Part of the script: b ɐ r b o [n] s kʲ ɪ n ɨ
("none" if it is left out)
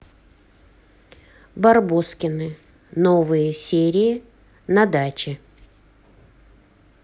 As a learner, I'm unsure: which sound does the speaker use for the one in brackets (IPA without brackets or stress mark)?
none